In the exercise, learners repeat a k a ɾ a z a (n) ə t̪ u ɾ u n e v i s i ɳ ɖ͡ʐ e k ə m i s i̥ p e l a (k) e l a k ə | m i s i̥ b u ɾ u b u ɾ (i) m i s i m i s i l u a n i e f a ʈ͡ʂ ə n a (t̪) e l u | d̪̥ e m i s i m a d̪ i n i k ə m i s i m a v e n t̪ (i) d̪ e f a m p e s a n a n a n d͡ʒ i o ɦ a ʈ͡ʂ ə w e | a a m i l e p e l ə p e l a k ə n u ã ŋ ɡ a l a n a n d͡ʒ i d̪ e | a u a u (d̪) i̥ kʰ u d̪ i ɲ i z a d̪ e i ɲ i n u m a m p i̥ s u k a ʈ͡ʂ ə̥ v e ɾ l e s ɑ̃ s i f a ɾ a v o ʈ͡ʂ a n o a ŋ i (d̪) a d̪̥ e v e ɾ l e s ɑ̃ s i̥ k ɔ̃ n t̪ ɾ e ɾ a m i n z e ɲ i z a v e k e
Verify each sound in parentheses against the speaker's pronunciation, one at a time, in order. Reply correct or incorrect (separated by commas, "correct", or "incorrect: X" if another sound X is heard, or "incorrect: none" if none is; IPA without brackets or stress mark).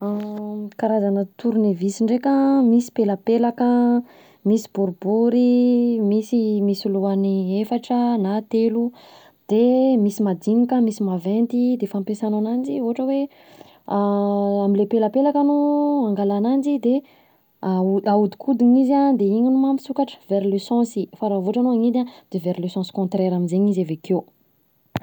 correct, incorrect: p, correct, correct, correct, correct, correct